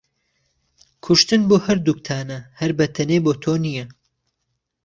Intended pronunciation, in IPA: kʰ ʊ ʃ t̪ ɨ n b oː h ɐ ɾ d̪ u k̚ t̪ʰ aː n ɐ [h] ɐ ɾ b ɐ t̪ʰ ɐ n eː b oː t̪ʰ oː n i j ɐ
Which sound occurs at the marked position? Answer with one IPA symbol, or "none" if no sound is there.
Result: h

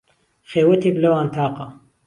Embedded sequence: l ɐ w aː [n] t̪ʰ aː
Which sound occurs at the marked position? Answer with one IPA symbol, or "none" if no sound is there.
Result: n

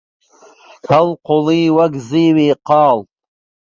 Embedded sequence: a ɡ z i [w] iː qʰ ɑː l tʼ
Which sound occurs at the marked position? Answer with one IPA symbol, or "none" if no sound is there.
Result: w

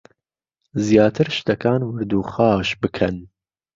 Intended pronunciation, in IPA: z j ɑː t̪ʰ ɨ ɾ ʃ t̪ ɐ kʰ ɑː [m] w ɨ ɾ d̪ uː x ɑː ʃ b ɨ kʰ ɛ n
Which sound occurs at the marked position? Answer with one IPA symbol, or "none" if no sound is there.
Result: n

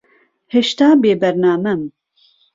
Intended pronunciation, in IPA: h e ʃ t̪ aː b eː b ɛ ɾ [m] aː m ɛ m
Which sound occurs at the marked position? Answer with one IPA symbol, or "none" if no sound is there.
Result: n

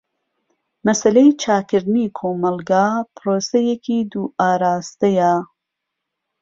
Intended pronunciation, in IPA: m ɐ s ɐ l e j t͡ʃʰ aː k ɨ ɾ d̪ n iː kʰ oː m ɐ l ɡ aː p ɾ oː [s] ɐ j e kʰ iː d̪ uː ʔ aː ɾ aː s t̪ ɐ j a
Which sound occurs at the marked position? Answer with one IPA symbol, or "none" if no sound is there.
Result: s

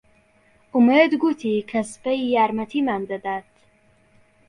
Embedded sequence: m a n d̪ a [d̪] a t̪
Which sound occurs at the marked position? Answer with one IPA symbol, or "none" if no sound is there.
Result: d̪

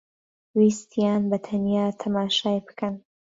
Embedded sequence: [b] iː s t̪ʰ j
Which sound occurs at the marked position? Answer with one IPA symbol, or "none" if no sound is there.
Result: w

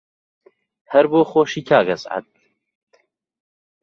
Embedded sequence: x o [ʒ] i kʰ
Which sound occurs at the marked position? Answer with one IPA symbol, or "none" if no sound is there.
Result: ʃ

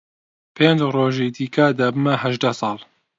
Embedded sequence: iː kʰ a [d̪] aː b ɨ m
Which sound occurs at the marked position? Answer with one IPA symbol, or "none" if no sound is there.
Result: d̪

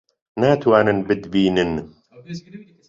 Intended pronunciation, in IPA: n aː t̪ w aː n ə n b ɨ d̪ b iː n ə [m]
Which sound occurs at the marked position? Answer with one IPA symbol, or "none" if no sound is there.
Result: n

